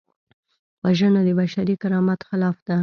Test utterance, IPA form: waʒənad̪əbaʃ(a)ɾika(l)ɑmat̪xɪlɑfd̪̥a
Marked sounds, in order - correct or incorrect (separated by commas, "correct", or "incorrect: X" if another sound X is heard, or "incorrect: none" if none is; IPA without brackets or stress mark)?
correct, incorrect: ɾ